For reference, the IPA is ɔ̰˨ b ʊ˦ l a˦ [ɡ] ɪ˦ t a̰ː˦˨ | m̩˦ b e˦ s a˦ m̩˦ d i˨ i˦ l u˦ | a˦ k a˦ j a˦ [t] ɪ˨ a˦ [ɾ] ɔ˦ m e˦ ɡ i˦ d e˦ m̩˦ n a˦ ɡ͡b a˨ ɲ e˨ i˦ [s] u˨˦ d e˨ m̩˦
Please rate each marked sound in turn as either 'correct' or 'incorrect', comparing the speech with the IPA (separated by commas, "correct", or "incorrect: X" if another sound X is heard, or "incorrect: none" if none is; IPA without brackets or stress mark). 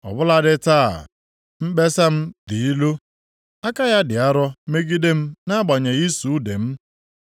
incorrect: d, incorrect: d, correct, correct